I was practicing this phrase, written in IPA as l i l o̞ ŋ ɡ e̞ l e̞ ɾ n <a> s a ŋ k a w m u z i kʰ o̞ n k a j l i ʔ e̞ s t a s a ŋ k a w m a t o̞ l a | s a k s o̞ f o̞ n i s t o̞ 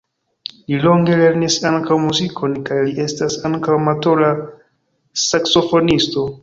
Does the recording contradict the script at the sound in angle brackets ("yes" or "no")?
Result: yes